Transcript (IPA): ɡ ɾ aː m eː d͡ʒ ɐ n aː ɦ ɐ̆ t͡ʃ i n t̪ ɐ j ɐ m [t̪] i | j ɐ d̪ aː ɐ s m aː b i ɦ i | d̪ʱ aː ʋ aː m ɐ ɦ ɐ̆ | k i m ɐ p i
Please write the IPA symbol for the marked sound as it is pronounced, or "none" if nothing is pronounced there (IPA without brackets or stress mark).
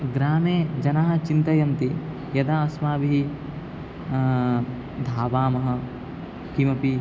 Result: t̪